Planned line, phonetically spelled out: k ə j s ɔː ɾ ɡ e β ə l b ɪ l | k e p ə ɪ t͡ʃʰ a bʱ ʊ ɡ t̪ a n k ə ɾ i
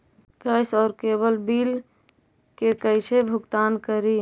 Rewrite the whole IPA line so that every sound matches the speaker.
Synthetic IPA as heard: k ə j s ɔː ɾ k e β ə l b i l | k e k ə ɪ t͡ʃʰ e bʱ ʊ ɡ t̪ a n k ə ɾ i